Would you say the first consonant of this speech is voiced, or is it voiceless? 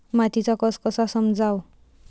voiced